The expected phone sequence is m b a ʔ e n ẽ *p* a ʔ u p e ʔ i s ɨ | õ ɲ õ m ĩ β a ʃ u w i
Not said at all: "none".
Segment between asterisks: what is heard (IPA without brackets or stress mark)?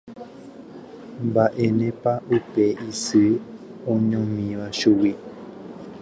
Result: p